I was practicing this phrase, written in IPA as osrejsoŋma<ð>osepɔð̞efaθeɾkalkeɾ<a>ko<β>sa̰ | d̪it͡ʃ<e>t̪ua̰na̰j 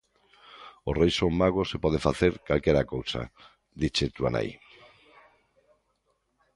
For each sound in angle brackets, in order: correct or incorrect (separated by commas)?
incorrect, correct, incorrect, correct